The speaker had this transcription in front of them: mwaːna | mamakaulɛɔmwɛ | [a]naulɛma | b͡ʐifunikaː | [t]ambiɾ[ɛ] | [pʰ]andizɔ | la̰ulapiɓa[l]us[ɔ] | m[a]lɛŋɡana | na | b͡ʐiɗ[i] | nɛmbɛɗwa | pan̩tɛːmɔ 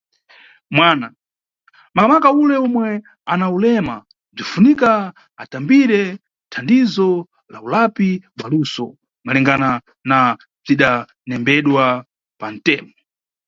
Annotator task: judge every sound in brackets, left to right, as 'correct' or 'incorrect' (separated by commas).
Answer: correct, correct, correct, incorrect, correct, correct, correct, incorrect